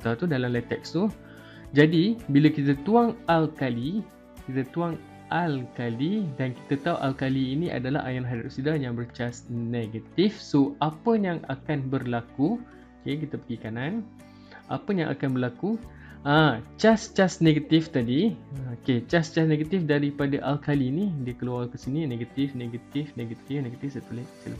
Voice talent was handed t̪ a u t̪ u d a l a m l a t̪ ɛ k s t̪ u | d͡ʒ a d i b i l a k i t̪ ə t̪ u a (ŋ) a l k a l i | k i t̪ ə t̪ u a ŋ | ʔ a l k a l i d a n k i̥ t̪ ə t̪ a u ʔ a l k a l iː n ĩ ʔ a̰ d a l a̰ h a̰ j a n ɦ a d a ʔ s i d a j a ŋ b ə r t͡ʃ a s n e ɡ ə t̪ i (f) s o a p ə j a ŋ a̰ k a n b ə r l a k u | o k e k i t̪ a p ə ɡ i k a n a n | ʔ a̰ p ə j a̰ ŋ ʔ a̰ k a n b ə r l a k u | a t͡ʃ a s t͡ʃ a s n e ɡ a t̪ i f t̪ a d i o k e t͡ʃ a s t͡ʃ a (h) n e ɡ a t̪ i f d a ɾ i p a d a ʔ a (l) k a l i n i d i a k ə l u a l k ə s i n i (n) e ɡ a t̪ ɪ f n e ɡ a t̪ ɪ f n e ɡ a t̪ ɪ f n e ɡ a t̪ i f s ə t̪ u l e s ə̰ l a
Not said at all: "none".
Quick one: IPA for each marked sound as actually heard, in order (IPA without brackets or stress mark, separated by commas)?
ŋ, f, s, l, n